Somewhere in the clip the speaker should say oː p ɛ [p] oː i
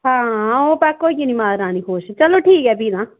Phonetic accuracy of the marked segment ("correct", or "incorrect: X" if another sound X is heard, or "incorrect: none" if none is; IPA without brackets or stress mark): incorrect: k